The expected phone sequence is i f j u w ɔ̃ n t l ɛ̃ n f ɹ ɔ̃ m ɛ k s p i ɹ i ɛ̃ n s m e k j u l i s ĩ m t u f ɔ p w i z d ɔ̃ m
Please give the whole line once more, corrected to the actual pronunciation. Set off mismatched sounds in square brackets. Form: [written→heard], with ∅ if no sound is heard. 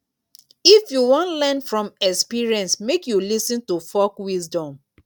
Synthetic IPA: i f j u w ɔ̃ n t l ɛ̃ n f ɹ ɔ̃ m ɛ k s p i ɹ i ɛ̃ n s m e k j u l i s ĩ [m→n] t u f ɔ [p→k] w i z d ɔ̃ m